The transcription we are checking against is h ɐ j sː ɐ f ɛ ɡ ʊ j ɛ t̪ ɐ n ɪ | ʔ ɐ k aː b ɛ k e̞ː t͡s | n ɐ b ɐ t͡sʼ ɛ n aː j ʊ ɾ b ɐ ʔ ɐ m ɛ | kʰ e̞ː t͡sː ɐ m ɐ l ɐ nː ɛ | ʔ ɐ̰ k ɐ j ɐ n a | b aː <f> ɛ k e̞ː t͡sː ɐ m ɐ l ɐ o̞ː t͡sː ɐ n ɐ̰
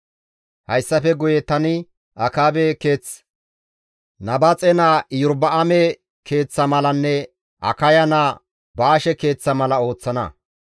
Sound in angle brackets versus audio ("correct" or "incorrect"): incorrect